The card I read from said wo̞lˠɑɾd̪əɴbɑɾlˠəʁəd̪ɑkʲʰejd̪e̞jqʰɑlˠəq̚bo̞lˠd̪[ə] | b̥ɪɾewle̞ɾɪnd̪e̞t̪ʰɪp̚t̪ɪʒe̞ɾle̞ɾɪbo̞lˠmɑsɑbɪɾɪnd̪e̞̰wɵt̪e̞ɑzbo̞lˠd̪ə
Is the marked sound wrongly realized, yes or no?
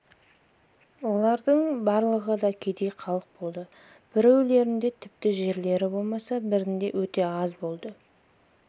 no